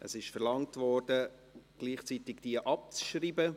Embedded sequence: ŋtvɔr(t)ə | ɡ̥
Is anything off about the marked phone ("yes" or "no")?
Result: yes